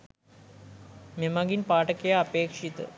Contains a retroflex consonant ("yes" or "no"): yes